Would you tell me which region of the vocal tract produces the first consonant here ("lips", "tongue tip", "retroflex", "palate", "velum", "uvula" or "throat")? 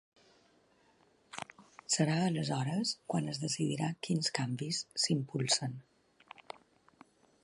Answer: tongue tip